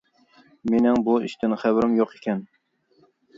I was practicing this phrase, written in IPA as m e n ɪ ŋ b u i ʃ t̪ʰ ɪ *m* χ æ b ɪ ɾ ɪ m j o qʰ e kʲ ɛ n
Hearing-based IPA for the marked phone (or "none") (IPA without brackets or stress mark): n